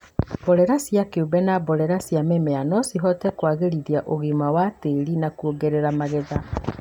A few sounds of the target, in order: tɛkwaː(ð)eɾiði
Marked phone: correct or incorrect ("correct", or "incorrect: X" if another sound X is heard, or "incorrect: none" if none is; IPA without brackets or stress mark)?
incorrect: ɣ